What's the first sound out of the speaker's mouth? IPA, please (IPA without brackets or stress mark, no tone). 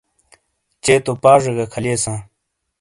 t͡ɕ